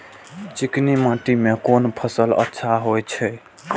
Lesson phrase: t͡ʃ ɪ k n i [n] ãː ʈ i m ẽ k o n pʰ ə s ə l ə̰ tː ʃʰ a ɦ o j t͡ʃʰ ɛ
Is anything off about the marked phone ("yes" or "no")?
yes